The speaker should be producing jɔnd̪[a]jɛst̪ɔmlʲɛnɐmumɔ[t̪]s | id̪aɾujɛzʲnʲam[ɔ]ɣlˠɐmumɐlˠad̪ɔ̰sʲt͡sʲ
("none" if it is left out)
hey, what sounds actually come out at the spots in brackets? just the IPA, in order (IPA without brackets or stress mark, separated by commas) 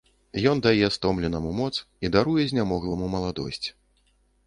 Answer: a, t̪, ɔ